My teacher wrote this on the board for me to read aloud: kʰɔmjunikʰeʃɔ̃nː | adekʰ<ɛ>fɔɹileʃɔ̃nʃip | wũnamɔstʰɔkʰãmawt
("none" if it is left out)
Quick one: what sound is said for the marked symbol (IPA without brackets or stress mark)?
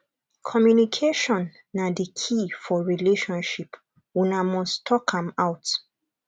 i